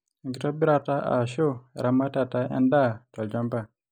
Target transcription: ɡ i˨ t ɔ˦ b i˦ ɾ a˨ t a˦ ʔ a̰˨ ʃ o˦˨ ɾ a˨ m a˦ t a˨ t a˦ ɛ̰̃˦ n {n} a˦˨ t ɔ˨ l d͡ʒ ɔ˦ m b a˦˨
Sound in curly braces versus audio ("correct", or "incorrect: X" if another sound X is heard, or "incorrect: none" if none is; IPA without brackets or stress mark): incorrect: d